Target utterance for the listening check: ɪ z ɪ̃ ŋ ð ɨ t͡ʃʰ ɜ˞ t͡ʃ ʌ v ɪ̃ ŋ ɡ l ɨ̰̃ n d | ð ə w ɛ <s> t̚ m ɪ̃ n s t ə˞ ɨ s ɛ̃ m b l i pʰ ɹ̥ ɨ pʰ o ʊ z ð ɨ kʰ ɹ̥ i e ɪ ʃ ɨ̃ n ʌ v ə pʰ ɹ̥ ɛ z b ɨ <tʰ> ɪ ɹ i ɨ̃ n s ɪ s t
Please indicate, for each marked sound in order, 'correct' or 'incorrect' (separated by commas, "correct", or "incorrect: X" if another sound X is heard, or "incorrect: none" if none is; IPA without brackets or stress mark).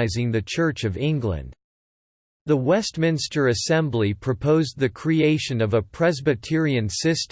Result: correct, correct